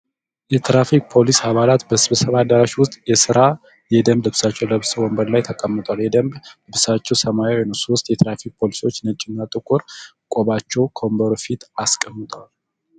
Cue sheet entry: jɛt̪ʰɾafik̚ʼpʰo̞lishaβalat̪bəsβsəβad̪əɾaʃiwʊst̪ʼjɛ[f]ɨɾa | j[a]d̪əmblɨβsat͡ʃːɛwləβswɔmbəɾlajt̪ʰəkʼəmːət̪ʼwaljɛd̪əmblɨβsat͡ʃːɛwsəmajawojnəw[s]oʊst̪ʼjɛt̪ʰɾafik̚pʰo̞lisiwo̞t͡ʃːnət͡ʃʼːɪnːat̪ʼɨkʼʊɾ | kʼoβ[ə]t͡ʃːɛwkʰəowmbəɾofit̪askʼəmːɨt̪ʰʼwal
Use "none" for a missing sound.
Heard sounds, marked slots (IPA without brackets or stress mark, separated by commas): s, ɛ, s, a